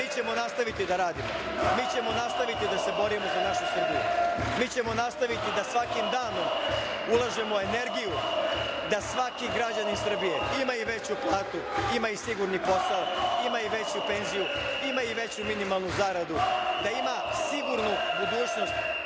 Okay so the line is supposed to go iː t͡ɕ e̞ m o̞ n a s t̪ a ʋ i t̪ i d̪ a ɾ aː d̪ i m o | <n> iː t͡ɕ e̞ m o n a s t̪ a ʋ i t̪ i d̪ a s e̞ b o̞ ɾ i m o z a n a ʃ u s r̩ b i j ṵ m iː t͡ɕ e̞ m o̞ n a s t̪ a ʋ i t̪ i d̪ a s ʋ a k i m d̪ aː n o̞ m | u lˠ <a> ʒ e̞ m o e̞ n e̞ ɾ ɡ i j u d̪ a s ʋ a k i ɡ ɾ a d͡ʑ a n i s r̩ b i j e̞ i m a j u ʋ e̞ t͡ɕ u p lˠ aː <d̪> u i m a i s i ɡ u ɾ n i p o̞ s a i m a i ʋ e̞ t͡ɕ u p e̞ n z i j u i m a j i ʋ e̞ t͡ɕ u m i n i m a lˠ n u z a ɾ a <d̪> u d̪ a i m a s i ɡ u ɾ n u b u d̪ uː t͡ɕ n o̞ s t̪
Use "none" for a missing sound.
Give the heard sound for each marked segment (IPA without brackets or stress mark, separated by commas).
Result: m, a, t̪, d̪